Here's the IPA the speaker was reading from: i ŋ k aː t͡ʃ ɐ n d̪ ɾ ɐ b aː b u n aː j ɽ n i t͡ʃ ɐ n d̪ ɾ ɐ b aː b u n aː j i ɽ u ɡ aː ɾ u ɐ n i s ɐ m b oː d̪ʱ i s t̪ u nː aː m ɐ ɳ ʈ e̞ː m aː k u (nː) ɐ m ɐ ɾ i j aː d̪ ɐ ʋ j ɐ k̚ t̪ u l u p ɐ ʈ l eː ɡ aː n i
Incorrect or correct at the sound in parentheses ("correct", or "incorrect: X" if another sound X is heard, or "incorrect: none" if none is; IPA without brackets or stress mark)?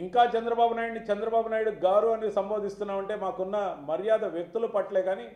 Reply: correct